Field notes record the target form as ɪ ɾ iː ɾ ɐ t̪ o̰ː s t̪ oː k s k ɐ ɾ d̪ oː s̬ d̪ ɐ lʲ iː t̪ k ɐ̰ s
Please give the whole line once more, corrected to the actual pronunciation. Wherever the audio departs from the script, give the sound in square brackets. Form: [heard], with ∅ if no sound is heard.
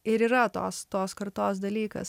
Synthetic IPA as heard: ɪ ɾ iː ɾ ɐ t̪ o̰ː s t̪ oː [∅] s k ɐ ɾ [t̪] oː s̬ d̪ ɐ lʲ iː [∅] k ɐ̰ s